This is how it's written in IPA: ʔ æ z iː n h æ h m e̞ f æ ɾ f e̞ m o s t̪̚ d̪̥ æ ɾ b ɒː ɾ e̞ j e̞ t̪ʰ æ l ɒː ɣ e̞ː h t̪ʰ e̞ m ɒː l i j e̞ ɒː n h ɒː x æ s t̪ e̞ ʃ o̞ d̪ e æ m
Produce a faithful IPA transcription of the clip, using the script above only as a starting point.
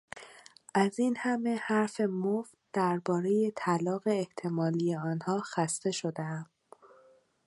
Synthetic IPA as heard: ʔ æ z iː n h æ m e̞ h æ ɾ f e̞ m o f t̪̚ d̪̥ æ ɾ b ɒː ɾ e̞ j e̞ t̪ʰ æ l ɒː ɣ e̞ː h t̪ʰ e̞ m ɒː l i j e̞ ɒː n h ɒː x æ s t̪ e̞ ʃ o̞ d̪ e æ m